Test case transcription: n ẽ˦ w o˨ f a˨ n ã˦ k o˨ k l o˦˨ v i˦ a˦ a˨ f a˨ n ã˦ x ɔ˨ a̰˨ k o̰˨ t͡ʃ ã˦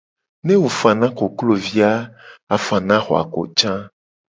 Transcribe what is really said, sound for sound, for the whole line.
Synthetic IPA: n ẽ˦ w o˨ f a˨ n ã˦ k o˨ k l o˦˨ v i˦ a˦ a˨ f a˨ n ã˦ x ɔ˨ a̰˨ k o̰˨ t͡ʃ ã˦